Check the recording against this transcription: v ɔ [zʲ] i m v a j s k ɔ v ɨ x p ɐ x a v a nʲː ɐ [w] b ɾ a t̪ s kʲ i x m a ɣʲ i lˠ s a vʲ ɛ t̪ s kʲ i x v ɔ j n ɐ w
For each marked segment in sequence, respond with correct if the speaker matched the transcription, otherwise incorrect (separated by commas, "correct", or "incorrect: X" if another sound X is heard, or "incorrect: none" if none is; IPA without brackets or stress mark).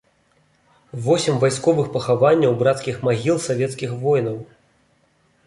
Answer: incorrect: sʲ, correct